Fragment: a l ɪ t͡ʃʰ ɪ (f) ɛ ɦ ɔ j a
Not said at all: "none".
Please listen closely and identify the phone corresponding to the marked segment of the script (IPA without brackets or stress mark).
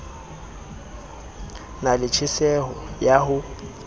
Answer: s